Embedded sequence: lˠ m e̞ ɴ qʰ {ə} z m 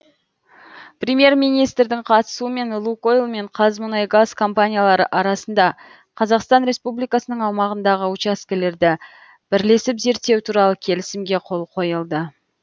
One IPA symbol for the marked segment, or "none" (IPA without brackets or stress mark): ɑ